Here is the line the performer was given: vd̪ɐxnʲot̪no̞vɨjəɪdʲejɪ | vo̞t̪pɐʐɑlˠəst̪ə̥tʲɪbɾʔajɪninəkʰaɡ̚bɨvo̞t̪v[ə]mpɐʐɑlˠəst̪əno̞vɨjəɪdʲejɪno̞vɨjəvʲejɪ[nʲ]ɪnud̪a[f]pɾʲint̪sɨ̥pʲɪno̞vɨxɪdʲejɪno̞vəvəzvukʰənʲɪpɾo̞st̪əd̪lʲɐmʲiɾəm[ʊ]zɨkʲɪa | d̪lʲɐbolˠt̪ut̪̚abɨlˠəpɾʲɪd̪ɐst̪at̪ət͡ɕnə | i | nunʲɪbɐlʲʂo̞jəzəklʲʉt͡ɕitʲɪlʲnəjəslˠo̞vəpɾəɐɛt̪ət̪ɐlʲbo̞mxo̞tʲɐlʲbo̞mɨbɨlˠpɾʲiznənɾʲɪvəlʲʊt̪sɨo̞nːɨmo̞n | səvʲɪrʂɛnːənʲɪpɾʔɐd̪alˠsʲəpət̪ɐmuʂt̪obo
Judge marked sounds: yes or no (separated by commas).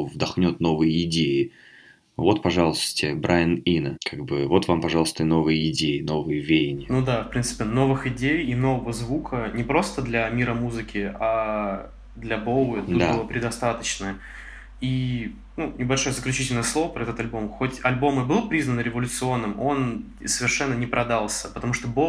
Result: no, yes, yes, no